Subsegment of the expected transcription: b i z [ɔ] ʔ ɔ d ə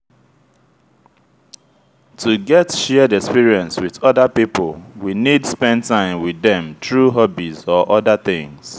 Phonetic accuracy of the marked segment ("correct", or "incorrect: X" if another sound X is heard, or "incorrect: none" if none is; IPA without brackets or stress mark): correct